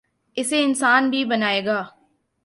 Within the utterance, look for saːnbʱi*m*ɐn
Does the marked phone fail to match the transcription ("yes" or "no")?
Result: yes